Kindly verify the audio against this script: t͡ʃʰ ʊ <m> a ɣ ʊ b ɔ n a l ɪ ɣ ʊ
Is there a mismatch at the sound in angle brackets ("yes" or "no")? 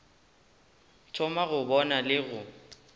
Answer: no